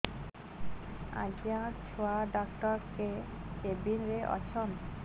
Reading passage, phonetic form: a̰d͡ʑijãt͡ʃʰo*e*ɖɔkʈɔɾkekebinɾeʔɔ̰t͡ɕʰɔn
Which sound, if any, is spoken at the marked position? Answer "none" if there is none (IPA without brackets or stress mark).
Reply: a